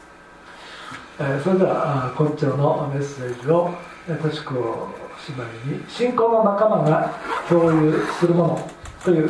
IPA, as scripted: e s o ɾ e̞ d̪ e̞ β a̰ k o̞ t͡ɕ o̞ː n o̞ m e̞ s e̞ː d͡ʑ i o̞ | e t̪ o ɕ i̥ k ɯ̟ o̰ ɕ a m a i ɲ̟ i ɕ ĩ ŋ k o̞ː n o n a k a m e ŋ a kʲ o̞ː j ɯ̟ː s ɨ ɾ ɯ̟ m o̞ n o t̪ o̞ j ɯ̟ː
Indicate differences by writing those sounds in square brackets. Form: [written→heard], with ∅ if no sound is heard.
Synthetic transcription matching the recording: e s o ɾ e̞ d̪ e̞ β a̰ k o̞ t͡ɕ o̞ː n o̞ m e̞ s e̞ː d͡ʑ i o̞ | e t̪ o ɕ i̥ k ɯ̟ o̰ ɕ [a→i] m a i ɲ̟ i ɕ ĩ ŋ k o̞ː n o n a k a m [e→a] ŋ a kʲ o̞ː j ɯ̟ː s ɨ ɾ ɯ̟ m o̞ n o t̪ o̞ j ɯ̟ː